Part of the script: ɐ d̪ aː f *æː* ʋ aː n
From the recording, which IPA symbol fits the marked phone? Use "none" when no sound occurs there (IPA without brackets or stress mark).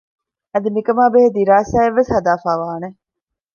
aː